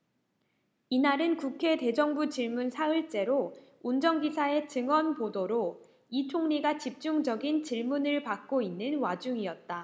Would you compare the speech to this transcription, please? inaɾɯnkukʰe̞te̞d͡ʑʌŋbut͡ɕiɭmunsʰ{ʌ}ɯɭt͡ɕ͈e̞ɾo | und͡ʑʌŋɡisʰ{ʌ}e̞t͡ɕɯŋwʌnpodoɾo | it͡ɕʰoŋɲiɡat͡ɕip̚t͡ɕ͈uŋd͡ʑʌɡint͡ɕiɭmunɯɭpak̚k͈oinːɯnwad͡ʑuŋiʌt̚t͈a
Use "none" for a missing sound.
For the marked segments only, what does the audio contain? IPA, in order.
a, a

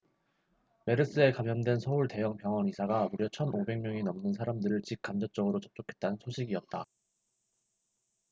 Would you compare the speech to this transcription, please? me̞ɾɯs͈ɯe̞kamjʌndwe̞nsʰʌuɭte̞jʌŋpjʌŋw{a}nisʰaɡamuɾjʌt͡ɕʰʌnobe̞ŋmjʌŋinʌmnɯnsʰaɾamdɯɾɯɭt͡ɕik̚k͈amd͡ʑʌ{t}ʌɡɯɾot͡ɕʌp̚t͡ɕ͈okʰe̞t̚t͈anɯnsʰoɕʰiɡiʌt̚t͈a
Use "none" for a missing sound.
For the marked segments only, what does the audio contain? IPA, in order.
ʌ, t͡ɕ͈

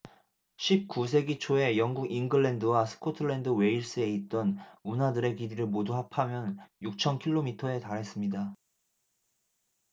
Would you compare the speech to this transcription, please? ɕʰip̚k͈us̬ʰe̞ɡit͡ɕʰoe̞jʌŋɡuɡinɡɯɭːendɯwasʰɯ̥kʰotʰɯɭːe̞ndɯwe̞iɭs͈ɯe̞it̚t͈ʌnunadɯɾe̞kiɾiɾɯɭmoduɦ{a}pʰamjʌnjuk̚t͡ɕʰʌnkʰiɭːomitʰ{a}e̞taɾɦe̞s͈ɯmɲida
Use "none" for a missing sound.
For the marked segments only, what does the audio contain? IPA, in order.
a, ʌ

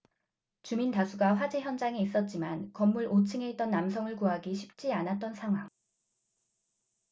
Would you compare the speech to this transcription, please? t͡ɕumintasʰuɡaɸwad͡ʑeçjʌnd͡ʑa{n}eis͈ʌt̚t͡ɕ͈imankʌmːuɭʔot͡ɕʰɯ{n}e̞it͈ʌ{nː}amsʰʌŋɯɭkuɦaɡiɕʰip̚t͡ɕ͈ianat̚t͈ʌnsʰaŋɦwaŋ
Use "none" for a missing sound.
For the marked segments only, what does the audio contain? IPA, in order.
ŋ, ŋ, nː

